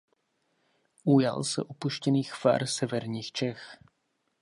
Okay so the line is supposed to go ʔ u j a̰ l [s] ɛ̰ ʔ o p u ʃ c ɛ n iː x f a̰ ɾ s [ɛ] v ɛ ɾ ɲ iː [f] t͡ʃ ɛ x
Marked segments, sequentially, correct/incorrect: correct, correct, incorrect

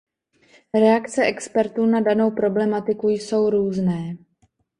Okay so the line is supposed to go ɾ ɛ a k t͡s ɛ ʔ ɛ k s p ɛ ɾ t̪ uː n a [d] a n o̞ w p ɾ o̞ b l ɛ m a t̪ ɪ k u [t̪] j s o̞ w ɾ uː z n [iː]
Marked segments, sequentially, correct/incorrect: correct, incorrect, incorrect

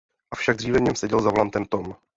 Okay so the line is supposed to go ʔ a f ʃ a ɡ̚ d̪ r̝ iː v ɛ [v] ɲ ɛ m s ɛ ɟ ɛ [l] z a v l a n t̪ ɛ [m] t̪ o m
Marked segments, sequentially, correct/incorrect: correct, correct, correct

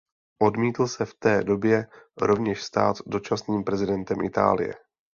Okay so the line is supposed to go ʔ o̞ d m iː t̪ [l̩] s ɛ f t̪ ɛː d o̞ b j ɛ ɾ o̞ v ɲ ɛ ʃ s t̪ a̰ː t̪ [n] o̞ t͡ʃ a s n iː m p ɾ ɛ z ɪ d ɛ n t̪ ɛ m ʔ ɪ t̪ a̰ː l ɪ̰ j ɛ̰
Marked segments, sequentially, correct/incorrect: correct, incorrect

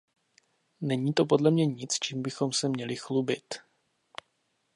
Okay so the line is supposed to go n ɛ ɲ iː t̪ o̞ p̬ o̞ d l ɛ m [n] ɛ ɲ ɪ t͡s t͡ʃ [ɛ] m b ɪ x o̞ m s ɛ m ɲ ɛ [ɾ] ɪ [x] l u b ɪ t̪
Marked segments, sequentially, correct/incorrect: incorrect, incorrect, incorrect, correct

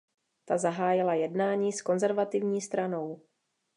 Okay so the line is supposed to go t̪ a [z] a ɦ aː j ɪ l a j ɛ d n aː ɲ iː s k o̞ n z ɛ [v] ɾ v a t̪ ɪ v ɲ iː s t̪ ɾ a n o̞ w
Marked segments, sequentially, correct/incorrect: correct, incorrect

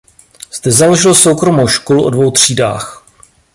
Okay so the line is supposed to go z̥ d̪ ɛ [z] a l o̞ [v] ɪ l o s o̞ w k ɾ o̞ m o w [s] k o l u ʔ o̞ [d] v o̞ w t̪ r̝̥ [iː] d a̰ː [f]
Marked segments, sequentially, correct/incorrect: correct, incorrect, incorrect, correct, correct, incorrect

